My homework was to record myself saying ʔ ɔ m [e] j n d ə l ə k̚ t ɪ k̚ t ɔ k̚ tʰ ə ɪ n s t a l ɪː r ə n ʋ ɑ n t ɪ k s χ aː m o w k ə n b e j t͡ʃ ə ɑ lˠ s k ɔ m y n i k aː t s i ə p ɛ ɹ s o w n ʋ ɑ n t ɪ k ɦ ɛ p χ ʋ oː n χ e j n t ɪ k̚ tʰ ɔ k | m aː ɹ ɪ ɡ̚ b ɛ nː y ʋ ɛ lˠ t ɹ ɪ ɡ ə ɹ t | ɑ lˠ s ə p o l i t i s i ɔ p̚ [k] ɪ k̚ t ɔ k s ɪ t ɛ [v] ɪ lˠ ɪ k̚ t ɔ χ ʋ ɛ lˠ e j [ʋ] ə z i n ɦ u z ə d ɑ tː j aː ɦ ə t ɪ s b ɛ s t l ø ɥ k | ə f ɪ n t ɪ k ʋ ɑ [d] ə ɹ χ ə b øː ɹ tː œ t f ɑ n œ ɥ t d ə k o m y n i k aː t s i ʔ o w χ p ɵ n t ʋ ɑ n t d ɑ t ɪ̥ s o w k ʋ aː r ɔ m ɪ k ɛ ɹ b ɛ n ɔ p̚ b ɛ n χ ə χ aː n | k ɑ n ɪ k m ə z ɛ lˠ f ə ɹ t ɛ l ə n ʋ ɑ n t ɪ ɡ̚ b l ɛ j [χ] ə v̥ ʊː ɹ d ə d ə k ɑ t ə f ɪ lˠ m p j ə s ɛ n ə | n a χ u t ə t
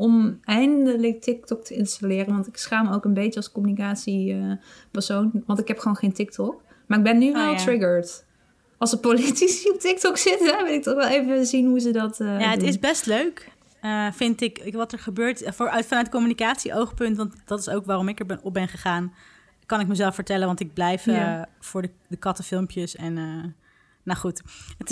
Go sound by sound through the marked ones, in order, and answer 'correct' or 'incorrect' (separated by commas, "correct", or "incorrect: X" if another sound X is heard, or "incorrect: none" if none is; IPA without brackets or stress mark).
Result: incorrect: ɛ, incorrect: t, incorrect: ʋ, incorrect: v, incorrect: t, incorrect: f